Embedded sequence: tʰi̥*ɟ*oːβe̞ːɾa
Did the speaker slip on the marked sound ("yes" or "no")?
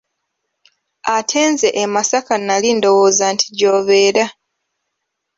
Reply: no